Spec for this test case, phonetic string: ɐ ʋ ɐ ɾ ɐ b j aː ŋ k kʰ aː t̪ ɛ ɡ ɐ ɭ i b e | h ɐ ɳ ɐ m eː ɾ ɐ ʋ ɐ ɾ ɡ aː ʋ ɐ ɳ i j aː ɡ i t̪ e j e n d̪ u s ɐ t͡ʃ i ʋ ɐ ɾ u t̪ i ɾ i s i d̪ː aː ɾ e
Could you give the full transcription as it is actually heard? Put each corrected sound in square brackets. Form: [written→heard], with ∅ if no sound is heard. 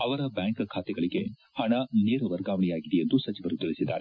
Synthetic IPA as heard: ɐ ʋ ɐ ɾ ɐ b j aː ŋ k kʰ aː t̪ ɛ ɡ ɐ ɭ i [b→ɡ] e | h ɐ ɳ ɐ [m→n] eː ɾ ɐ ʋ ɐ ɾ ɡ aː ʋ ɐ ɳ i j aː ɡ i [t̪→d̪] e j e n d̪ u s ɐ t͡ʃ i ʋ ɐ ɾ u t̪ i [ɾ→ɭ] i s i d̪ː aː ɾ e